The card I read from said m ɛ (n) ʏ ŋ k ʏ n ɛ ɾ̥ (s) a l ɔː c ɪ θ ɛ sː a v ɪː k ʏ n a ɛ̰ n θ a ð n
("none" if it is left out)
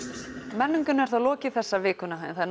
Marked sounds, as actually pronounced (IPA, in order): nː, θ

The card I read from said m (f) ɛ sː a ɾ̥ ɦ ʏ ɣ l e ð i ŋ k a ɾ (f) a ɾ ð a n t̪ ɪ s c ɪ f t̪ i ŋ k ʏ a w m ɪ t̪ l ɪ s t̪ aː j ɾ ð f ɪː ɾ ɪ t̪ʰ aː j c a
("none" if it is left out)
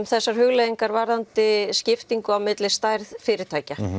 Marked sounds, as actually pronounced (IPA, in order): θ, v

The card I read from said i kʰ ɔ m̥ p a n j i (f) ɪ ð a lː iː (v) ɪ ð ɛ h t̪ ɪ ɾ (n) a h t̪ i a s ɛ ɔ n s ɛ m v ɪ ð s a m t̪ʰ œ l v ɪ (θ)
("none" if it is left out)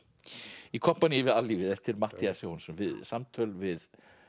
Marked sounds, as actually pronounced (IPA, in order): v, v, m, ð

